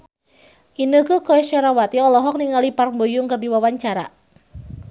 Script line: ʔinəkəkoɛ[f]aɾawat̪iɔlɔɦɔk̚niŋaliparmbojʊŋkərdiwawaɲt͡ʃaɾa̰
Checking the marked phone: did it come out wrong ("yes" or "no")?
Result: yes